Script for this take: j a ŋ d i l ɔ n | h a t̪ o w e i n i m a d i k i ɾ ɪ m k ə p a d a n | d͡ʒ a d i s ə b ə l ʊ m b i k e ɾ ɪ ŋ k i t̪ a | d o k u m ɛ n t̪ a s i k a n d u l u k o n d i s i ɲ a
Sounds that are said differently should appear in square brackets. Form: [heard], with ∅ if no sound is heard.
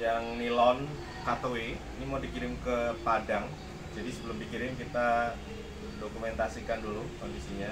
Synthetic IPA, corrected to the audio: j a ŋ [n] i l ɔ n | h a t̪ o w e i n i m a d i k i ɾ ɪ m k ə p a d a [ŋ] | d͡ʒ a d i s ə b ə l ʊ m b i k [i] ɾ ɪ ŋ k i t̪ a | d o k u m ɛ n t̪ a s i k a n d u l u k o n d i s i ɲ a